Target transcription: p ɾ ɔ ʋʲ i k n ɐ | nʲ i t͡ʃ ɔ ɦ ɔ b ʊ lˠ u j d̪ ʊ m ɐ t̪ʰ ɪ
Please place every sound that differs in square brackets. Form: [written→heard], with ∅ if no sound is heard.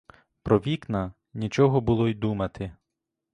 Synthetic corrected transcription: p ɾ ɔ ʋʲ i k n ɐ | nʲ i t͡ʃ ɔ ɦ ɔ b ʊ lˠ [u→ɔ] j d̪ [ʊ→u] m ɐ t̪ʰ ɪ